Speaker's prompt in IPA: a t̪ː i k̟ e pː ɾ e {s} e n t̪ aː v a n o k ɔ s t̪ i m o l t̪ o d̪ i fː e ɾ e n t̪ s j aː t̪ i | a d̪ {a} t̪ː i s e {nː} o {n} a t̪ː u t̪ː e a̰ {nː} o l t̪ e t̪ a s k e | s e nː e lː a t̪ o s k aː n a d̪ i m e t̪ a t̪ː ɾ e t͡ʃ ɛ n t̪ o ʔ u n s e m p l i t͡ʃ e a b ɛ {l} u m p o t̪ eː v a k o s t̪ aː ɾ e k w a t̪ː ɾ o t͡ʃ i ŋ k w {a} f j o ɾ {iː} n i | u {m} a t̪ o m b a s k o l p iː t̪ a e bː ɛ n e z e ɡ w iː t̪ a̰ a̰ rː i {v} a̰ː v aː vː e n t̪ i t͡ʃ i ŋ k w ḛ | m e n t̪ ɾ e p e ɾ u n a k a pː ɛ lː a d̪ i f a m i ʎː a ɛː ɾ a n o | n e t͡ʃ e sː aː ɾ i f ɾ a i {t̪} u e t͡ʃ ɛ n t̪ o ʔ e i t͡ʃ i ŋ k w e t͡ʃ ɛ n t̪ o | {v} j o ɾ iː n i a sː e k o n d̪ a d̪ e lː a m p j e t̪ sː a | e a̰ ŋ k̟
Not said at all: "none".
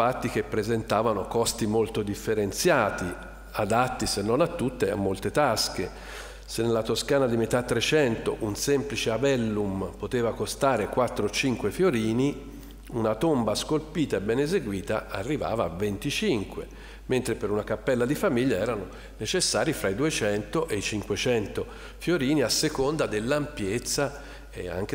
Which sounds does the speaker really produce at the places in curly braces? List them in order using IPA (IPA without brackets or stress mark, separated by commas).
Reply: z, a, nː, n, mː, lː, e, iː, n, v, d̪, f